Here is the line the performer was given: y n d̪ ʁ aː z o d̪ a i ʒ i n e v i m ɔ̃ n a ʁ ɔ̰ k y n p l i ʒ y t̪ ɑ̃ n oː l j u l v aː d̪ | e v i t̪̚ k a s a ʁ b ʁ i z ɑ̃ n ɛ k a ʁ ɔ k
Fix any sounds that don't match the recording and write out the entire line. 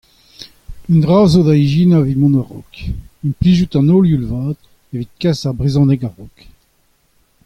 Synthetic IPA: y n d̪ ʁ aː z o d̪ a i ʒ i n a v i m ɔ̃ n a ʁ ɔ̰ k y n p l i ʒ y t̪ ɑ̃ n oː l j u l v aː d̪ | e v i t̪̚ k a s a ʁ b ʁ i z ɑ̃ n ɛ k a ʁ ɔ k